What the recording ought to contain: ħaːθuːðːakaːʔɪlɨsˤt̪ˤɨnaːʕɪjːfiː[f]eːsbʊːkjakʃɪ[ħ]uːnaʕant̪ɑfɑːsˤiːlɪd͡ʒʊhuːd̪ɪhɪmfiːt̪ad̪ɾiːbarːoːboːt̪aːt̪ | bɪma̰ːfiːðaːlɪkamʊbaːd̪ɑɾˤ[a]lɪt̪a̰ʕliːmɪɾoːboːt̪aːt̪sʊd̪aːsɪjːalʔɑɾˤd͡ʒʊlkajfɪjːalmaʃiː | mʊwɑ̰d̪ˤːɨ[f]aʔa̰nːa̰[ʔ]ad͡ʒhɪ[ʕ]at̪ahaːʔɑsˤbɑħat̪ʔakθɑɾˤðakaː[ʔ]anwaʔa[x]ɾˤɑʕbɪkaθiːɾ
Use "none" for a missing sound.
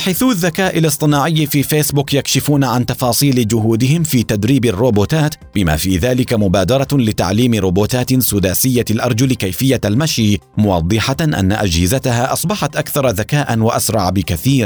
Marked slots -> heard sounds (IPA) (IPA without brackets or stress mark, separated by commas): f, f, ɑ, ħ, ʔ, z, ʔ, s